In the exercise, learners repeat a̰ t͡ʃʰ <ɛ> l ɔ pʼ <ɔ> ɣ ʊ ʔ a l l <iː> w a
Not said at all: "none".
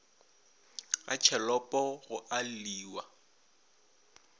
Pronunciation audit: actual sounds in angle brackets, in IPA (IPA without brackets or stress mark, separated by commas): ɛ, ɔ, iː